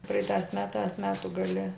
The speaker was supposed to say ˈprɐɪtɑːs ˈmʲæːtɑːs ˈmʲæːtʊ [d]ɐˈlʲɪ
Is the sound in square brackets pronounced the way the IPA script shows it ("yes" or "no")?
no